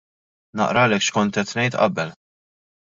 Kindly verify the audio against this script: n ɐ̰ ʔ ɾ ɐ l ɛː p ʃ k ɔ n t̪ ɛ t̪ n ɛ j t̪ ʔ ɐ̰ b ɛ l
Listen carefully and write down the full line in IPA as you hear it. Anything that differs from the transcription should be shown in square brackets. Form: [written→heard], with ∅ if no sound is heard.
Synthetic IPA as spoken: n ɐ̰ ʔ ɾ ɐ l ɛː [p→k] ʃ k ɔ n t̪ ɛ t̪ n ɛ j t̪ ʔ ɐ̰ b ɛ l